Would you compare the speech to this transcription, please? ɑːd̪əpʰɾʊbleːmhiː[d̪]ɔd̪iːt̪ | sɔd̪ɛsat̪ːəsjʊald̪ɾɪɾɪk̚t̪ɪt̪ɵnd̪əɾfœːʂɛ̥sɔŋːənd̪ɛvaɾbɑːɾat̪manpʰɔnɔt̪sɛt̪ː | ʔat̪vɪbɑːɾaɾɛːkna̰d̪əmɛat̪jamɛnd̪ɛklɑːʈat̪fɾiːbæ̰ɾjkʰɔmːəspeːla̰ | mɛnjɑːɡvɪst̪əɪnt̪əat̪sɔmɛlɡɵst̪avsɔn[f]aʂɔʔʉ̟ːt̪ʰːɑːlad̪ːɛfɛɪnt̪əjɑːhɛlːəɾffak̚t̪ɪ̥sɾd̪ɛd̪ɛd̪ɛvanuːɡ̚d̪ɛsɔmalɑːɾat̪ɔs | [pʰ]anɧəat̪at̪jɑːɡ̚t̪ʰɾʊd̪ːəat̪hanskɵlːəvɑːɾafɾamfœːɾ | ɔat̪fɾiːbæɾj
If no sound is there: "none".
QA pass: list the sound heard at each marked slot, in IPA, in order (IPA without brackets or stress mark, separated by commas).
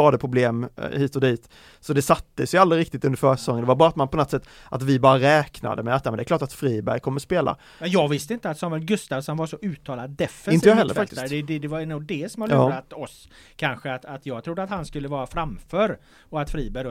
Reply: t̪, v, kʰ